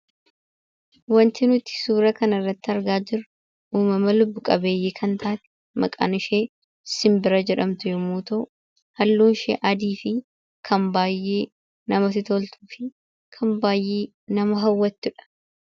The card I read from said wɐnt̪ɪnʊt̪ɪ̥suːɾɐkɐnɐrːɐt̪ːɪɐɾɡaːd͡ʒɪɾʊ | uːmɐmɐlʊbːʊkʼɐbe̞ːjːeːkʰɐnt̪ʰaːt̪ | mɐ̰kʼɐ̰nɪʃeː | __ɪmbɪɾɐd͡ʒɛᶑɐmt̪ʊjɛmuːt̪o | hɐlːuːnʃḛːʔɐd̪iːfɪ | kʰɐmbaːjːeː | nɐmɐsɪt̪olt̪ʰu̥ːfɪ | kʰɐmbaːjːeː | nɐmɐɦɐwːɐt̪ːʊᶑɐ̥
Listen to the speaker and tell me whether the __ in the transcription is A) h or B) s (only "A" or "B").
B